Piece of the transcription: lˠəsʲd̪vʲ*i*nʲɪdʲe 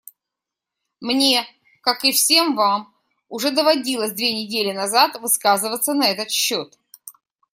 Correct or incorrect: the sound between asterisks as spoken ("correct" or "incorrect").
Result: incorrect